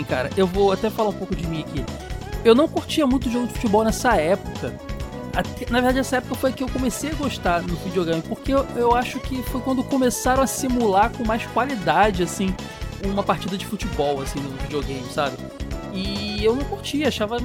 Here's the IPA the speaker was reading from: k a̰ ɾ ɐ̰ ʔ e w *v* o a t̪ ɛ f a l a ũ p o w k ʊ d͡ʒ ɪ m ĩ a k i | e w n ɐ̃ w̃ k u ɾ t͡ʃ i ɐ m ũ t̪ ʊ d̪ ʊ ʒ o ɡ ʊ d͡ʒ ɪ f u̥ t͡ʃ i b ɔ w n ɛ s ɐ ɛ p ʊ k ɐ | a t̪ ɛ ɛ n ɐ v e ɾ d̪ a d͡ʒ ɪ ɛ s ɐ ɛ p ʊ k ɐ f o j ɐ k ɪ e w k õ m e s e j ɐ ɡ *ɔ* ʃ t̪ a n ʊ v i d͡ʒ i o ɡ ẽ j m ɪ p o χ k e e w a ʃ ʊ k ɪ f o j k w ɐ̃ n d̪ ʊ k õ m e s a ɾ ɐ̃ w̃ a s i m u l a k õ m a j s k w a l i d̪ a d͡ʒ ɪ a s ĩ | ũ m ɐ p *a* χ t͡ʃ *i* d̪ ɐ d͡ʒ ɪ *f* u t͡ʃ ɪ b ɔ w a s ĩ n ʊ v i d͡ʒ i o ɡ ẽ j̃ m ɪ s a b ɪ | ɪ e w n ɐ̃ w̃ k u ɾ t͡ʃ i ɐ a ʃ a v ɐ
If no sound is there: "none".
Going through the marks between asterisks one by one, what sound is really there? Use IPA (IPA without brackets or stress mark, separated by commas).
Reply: v, o, a, i, f